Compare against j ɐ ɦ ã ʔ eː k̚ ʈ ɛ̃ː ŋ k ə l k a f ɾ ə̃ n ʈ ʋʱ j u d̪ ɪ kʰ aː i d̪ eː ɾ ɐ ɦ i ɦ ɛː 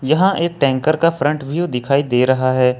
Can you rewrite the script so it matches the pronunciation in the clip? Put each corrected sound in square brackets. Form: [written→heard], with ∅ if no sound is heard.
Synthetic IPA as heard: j ɐ ɦ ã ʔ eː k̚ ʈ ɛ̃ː ŋ k ə [l→ɾ] k a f ɾ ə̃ [n→ɳ] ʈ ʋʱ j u d̪ ɪ kʰ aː i d̪ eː ɾ ɐ ɦ [i→a] ɦ ɛː